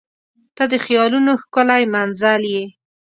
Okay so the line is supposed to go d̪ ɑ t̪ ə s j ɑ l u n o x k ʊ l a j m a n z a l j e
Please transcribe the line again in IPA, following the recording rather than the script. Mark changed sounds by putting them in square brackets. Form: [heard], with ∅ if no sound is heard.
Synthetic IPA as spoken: [t̪] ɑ [d̪] ə [x] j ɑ l u n o x k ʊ l a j m a n z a l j e